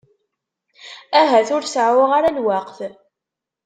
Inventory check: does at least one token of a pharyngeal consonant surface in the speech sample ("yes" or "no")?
yes